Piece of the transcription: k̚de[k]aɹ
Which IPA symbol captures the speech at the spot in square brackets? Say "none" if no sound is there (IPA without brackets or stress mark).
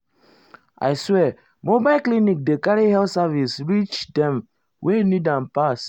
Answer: k